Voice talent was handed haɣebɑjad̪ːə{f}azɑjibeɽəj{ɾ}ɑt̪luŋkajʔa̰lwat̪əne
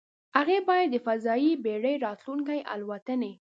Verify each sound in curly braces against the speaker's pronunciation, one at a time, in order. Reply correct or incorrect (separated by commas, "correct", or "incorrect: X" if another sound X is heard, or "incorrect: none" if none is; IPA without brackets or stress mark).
correct, correct